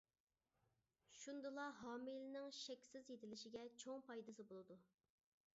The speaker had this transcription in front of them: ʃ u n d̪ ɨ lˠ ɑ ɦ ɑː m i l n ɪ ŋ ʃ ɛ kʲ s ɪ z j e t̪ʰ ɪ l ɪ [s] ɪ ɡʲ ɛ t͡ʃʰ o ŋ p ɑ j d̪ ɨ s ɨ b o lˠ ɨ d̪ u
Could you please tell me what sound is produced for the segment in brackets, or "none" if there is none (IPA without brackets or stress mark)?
ʃ